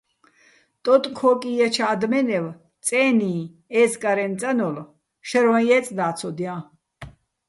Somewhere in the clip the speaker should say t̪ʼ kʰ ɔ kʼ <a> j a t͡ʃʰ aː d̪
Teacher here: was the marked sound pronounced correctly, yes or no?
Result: no